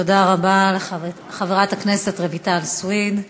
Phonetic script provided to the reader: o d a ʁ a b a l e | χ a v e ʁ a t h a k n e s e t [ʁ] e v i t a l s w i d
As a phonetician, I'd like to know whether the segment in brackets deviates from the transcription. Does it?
no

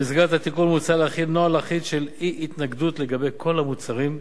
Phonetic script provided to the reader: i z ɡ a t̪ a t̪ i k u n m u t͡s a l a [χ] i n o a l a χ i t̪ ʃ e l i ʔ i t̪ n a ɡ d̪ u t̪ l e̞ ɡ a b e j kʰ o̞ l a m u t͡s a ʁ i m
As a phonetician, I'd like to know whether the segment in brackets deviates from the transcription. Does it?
no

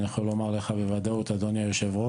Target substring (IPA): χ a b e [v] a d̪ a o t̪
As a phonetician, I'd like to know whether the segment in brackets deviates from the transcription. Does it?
no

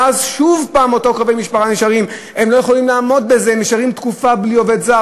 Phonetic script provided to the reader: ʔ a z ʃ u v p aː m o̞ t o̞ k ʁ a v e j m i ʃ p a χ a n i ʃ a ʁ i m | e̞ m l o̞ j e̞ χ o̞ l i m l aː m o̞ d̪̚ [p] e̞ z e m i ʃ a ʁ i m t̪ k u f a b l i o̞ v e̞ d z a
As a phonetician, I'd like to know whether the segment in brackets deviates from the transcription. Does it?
yes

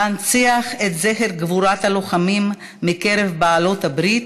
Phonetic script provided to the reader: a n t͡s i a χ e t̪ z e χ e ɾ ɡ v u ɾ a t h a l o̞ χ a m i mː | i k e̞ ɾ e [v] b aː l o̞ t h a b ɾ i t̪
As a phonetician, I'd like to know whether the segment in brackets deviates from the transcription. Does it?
no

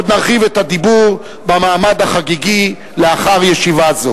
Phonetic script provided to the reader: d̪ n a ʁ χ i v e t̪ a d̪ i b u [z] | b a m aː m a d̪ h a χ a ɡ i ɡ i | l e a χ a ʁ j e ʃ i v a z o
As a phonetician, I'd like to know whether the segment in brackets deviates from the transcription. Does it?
yes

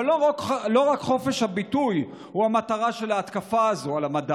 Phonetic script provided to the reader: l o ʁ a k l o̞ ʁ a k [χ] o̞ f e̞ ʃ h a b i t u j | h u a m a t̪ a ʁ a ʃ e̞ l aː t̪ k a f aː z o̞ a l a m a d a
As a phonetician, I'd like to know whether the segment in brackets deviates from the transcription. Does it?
no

